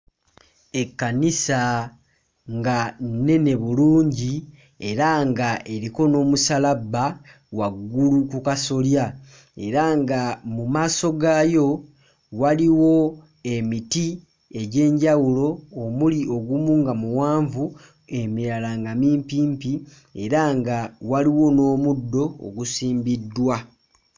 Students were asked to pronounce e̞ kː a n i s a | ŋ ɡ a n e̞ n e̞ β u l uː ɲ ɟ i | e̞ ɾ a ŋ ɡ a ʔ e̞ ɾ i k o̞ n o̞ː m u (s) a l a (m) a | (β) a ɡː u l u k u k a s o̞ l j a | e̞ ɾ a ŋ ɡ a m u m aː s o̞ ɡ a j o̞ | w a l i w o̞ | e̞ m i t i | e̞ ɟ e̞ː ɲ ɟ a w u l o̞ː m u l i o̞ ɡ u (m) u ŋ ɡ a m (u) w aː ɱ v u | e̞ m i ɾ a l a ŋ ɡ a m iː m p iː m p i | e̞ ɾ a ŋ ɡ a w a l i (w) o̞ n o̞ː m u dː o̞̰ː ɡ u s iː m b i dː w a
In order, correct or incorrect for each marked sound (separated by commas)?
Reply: correct, incorrect, incorrect, correct, correct, correct